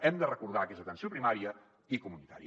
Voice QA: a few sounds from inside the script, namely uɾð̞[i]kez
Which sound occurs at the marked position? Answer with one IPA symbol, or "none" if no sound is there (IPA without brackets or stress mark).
a